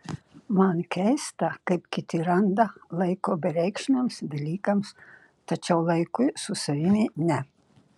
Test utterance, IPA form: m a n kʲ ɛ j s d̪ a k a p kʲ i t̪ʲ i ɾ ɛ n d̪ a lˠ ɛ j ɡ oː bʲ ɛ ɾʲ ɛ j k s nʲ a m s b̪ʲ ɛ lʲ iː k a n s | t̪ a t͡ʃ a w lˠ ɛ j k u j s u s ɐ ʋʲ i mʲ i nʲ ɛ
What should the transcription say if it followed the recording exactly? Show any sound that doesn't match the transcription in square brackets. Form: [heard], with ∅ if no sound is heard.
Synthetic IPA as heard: m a n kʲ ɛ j s [t̪] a k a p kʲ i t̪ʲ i ɾ [a] n d̪ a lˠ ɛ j [k] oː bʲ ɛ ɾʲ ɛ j k [ʃ] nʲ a m s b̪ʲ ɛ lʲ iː k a [m] s | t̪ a t͡ʃ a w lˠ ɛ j k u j s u s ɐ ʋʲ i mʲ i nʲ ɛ